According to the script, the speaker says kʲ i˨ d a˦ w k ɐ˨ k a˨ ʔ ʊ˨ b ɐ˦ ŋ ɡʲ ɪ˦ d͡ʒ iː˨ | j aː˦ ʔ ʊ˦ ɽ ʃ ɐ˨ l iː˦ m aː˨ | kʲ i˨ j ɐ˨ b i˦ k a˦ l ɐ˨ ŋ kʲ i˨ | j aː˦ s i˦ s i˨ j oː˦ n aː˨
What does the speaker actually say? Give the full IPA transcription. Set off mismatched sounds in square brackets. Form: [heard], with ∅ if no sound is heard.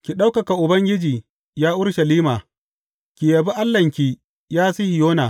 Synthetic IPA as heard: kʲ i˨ [ɗ] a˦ w k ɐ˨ k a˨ ʔ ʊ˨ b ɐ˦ ŋ ɡʲ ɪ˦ d͡ʒ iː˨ | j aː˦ ʔ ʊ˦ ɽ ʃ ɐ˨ l iː˦ m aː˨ | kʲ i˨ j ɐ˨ b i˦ [ʔ] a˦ [lː] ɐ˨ ŋ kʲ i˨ | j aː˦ s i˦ [h] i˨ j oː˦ n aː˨

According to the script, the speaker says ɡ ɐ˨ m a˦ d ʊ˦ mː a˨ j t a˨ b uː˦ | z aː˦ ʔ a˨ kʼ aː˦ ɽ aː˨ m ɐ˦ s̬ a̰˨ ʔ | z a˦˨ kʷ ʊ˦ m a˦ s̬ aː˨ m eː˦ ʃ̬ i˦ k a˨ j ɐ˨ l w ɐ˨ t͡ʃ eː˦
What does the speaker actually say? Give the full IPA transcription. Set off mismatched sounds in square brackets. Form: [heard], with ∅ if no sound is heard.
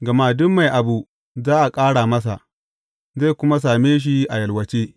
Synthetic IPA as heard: ɡ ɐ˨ m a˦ d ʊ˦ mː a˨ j [ʔ] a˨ b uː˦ | z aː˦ ʔ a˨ kʼ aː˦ ɽ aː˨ m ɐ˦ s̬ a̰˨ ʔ | z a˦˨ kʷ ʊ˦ m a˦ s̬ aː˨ m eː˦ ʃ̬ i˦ [ʔ] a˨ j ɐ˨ l w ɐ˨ t͡ʃ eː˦

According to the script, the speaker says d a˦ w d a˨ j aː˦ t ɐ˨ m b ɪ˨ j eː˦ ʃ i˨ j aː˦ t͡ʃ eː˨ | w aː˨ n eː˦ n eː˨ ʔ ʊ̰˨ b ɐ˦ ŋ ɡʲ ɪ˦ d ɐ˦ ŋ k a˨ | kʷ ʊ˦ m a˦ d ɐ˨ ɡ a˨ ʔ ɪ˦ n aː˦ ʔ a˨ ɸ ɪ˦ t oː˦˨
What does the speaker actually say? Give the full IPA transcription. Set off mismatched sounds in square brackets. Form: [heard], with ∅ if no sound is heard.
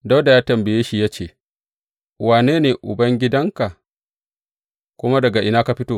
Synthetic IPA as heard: d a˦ w d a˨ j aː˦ t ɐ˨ m b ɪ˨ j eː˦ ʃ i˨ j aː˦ t͡ʃ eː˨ | w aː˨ n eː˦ n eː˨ ʔ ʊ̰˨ b ɐ˦ ŋ ɡʲ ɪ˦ d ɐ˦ ŋ k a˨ | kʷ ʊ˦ m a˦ d ɐ˨ ɡ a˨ ʔ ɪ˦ n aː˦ [k] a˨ ɸ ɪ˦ t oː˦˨

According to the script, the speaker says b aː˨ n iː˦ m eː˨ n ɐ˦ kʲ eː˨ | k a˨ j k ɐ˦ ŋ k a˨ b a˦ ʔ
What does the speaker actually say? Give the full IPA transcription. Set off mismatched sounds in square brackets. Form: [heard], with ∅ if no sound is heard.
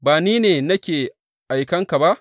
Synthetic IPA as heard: b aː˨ n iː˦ [n] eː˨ n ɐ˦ kʲ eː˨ | [ʔ] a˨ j k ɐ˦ ŋ k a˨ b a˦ ʔ

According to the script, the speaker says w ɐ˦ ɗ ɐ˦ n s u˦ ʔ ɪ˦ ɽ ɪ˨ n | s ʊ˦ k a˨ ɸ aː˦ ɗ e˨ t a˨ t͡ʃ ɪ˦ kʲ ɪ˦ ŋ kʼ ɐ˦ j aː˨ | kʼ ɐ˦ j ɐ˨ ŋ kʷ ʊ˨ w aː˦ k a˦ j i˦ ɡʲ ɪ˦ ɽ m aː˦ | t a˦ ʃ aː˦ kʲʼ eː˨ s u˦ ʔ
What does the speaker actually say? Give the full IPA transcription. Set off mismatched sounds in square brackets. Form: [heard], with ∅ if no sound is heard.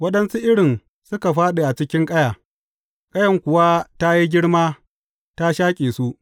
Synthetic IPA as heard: w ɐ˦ ɗ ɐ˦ n s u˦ ʔ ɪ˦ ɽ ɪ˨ n | s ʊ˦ k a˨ ɸ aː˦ ɗ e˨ [ʔ] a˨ t͡ʃ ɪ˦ kʲ ɪ˦ ŋ kʼ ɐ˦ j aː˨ | kʼ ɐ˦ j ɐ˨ ŋ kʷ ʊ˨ w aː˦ [t] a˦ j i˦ ɡʲ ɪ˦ ɽ m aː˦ | t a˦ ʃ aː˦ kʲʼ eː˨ s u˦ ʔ

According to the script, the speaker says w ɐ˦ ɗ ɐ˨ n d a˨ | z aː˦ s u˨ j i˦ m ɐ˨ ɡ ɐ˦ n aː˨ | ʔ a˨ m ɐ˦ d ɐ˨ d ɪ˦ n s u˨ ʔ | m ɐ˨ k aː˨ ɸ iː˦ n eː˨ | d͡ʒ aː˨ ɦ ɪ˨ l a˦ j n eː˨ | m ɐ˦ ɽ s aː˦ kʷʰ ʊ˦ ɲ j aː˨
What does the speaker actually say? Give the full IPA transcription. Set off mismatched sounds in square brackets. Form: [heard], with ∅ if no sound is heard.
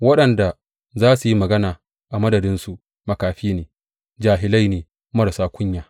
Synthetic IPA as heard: w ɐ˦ ɗ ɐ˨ n d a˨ | z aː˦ s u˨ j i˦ m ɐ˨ ɡ ɐ˦ n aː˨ | ʔ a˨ m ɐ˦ d ɐ˨ d ɪ˦ n s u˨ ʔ | m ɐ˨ k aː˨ ɸ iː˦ n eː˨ | d͡ʒ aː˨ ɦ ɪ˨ l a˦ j n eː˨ | m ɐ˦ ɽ s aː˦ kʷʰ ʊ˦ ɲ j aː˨

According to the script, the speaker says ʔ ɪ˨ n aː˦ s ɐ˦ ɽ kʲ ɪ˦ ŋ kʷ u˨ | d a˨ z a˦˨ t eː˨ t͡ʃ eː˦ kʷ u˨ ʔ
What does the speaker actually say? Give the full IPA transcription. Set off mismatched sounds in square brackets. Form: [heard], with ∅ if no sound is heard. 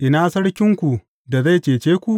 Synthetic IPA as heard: ʔ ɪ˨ n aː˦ s ɐ˦ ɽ kʲ ɪ˦ ŋ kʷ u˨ | d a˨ z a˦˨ [t͡ʃ] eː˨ t͡ʃ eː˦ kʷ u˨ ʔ

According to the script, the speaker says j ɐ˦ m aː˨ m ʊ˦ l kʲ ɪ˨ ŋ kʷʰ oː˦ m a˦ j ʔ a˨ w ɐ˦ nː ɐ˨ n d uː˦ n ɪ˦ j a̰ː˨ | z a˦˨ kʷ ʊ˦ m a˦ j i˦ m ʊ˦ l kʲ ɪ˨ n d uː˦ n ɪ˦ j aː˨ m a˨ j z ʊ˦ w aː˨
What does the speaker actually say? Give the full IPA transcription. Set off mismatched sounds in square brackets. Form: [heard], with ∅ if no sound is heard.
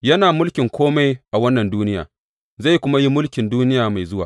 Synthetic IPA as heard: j ɐ˦ [n] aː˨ m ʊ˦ l kʲ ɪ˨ ŋ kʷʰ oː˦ m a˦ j ʔ a˨ w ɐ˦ nː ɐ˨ n d uː˦ n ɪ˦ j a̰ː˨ | z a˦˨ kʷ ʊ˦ m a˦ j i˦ m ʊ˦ l kʲ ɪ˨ n d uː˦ n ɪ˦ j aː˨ m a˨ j z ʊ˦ w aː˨

